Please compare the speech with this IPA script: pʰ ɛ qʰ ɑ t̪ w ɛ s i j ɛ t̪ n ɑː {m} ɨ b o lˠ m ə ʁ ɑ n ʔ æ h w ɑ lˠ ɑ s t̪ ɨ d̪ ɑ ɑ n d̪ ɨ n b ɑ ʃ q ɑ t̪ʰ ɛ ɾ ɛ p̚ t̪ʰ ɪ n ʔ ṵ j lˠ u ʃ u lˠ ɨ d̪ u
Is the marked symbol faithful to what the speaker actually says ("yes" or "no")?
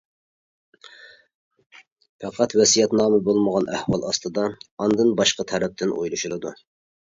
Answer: yes